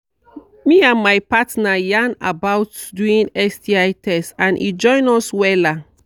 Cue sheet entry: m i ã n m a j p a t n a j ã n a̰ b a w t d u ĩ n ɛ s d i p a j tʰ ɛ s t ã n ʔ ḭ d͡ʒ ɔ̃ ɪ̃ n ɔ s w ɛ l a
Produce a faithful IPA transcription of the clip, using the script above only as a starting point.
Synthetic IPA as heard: m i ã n m a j p a t n a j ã n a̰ b a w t d u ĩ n ɛ s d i a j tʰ ɛ s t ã n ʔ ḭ d͡ʒ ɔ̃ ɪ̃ n ɔ s w ɛ l a